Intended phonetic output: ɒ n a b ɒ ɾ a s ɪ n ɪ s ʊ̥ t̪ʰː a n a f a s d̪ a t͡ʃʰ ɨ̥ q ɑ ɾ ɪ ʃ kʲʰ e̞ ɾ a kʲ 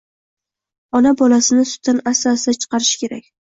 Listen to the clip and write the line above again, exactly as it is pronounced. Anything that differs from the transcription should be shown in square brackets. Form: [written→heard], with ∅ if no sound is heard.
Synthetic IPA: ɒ n a b ɒ [ɾ→l] a s ɪ n ɪ s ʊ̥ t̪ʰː a n a [f→s] a s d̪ a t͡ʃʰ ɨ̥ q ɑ ɾ ɪ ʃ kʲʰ e̞ ɾ a kʲ